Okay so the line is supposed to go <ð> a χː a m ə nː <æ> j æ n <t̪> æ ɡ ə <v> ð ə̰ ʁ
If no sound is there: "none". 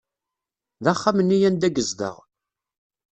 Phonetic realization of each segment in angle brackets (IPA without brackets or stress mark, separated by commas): ð, i, d̪, z